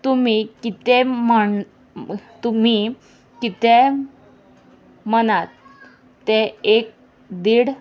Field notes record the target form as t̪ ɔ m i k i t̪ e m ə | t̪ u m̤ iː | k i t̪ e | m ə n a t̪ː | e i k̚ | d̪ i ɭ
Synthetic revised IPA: t̪ u m i k i t̪ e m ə | t̪ u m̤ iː | k i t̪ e | m ə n a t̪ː | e e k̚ | d̪ i ɽ